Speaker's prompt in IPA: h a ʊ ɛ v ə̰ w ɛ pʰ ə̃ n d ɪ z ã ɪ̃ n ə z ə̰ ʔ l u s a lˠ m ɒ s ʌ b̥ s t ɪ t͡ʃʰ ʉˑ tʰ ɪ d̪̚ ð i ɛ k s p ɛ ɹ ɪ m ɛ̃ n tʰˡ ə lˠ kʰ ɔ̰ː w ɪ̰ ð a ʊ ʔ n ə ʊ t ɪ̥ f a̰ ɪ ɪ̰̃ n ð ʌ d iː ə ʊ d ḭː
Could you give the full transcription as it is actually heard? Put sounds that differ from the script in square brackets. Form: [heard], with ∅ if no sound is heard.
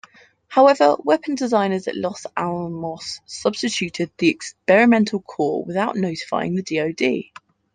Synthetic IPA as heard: h a ʊ ɛ v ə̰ w ɛ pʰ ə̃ n d ɪ z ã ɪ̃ n ə z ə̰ ʔ l [ɒ] s a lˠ m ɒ s ʌ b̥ s t ɪ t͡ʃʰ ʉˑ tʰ ɪ d̪̚ ð i ɛ k s p ɛ ɹ ɪ m ɛ̃ n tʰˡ ə lˠ kʰ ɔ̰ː w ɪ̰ ð a ʊ ʔ n ə ʊ t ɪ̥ f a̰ ɪ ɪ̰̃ [ŋ] ð [ə] d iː ə ʊ d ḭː